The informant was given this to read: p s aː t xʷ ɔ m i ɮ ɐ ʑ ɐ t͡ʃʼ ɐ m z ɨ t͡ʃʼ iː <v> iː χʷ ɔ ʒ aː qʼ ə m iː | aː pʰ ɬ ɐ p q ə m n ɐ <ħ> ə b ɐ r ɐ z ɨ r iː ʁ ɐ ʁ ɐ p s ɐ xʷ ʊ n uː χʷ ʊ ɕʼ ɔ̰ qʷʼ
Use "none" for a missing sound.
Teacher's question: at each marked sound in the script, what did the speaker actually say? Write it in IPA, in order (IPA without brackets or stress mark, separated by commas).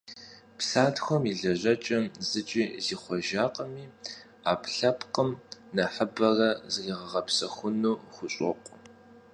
z, ħ